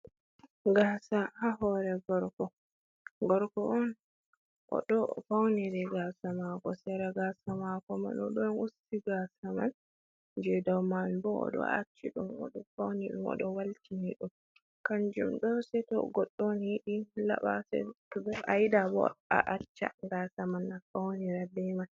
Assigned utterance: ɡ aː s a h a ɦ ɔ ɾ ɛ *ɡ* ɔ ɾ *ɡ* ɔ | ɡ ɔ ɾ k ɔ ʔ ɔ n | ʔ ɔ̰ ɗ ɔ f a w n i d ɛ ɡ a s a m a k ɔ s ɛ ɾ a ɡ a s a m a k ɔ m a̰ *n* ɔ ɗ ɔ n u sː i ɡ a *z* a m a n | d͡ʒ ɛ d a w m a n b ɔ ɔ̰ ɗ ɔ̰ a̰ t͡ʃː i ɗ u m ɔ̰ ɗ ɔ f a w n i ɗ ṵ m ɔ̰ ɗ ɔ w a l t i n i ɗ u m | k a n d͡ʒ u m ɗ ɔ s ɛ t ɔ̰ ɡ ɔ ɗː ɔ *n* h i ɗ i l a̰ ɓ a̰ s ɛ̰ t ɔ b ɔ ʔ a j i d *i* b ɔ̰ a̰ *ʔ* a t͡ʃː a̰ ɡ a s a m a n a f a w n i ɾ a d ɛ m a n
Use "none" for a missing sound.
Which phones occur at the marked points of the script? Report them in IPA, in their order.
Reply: ɡ, k, n, s, n, a, ʔ

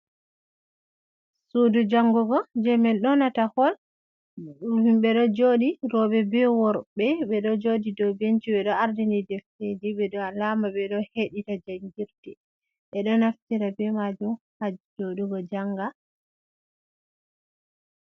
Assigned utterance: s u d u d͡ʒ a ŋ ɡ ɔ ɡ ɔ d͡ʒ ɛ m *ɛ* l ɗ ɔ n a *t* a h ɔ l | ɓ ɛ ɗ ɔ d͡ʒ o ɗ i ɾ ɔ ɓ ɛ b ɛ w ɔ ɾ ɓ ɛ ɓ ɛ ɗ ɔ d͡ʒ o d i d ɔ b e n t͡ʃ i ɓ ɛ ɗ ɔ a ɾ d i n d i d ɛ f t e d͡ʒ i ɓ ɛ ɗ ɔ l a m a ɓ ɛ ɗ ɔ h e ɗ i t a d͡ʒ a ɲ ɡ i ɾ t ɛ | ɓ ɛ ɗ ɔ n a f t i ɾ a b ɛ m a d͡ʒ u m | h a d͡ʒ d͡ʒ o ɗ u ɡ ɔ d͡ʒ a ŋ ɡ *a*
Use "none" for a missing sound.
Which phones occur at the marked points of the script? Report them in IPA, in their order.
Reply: ɛ, t, a

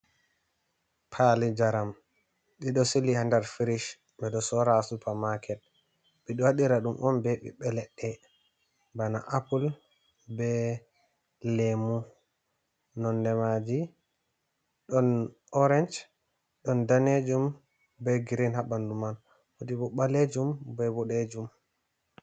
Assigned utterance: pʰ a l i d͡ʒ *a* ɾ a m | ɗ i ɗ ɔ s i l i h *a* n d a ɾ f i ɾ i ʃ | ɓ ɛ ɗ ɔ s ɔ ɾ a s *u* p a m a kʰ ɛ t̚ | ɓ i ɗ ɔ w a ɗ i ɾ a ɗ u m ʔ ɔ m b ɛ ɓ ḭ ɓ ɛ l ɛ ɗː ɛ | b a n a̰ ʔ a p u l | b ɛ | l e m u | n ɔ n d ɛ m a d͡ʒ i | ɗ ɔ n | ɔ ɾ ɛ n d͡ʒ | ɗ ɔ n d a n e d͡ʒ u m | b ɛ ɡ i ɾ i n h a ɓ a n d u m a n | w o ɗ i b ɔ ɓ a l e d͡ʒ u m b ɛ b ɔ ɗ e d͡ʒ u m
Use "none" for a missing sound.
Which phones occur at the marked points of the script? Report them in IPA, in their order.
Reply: a, a, u

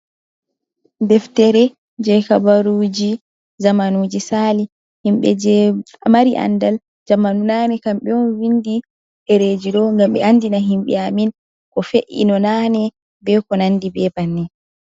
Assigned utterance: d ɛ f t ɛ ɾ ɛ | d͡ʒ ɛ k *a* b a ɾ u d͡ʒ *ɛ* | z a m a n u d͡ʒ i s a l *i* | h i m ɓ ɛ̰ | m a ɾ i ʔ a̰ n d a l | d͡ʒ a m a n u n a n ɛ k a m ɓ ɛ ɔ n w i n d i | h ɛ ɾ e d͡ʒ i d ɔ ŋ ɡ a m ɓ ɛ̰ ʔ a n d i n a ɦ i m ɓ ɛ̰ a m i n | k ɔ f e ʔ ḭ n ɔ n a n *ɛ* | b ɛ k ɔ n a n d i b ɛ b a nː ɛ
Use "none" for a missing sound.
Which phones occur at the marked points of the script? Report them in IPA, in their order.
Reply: a, i, i, ɛ

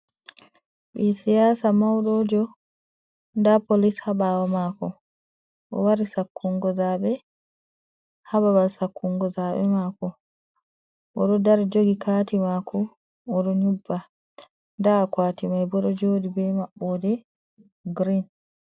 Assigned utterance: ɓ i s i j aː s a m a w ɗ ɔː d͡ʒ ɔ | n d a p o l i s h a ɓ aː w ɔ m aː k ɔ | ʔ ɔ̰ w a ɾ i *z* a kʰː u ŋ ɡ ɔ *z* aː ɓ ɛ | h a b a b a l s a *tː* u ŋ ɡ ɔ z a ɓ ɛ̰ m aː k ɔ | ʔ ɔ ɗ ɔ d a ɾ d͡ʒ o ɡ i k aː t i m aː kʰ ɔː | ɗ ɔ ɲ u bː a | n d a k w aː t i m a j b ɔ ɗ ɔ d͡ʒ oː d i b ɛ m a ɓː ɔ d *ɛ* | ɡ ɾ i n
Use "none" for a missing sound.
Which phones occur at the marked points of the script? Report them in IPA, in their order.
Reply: s, z, kː, ɛ

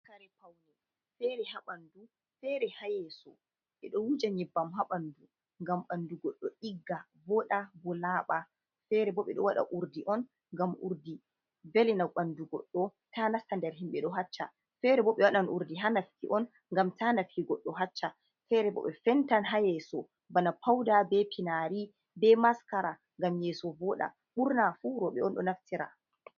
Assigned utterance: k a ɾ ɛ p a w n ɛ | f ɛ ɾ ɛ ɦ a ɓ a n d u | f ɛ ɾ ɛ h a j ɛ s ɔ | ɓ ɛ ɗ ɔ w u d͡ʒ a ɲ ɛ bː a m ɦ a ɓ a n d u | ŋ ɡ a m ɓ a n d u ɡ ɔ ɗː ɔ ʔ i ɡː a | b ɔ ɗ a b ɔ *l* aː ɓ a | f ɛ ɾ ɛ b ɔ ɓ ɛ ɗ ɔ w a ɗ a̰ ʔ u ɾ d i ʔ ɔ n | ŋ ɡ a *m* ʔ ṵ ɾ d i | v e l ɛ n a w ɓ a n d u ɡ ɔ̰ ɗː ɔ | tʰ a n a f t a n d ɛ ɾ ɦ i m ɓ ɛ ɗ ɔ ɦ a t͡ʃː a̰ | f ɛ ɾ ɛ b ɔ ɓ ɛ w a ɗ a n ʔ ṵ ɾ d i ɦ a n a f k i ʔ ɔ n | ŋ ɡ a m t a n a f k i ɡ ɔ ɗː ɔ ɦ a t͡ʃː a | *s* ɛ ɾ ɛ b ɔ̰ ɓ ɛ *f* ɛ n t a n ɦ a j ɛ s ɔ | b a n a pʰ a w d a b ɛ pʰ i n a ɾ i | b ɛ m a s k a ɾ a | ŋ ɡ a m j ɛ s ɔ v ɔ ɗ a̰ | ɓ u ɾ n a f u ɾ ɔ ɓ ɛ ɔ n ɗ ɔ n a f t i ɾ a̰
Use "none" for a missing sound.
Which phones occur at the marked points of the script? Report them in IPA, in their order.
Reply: l, m, f, f

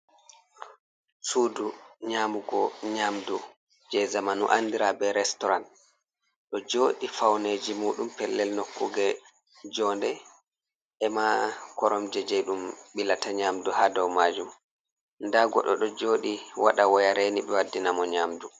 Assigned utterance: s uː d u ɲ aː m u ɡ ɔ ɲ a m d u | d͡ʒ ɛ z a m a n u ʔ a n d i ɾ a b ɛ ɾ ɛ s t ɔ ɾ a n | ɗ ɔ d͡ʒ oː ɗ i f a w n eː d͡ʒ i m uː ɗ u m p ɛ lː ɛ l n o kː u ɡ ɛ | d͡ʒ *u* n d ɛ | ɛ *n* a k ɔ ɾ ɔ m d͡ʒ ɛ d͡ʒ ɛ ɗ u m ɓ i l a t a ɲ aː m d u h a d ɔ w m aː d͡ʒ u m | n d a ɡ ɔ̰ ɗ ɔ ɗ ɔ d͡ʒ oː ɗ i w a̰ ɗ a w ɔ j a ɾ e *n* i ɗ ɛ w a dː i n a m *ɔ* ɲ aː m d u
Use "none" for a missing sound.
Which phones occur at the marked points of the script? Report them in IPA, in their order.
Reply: ɔ, m, n, ɔ

